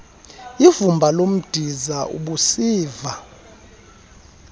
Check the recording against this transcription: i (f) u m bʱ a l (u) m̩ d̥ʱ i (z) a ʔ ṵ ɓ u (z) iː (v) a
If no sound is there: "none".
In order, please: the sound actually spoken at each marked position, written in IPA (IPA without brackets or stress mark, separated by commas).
v, o, z, s, v